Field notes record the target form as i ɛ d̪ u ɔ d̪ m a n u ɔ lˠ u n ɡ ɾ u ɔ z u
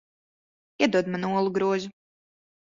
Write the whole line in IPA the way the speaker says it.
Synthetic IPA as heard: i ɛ d̪ u ɔ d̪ m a n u ɔ lˠ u ɡ ɾ u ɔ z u